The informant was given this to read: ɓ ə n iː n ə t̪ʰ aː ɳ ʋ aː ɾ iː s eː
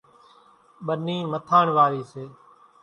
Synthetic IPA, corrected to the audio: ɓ ə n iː m ə t̪ʰ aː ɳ ʋ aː ɾ iː s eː